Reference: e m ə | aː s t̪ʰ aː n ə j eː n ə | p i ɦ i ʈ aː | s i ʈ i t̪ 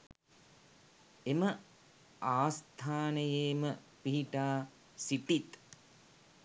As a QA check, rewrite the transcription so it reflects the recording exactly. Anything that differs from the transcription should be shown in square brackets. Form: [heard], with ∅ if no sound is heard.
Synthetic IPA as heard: e m ə | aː s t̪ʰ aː n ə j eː [m] ə | p i ɦ i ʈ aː | s i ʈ i t̪